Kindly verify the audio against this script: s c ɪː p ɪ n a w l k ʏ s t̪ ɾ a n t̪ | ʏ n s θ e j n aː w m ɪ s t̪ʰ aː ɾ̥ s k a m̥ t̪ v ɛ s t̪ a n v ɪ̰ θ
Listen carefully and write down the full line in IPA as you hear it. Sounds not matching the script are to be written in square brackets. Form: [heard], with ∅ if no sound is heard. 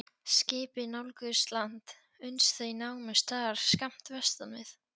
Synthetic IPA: s c ɪː p ɪ n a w l k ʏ s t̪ [l] a n t̪ | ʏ n s θ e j n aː w m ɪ s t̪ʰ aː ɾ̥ s k a m̥ t̪ v ɛ s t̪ a n v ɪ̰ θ